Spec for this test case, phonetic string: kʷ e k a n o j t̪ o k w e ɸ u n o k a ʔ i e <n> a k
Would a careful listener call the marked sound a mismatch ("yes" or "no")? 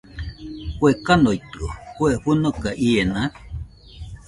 no